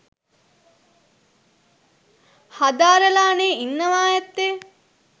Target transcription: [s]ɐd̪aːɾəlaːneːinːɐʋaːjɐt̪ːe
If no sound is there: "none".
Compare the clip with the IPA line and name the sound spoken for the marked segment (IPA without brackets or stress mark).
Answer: h